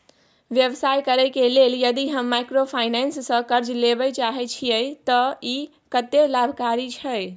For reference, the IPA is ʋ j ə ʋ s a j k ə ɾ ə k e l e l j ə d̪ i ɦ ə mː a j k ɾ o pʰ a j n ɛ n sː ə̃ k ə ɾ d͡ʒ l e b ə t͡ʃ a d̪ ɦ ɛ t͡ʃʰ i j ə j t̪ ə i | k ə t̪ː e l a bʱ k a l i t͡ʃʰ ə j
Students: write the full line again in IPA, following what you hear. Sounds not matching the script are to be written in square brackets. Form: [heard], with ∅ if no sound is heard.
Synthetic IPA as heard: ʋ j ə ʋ s a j k ə ɾ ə k e l e l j ə d̪ i ɦ ə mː a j k ɾ o pʰ a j n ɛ n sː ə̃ k ə ɾ d͡ʒ l e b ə t͡ʃ a [∅] ɦ ɛ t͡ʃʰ i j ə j t̪ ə i | k ə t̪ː e l a bʱ k a [ɾ] i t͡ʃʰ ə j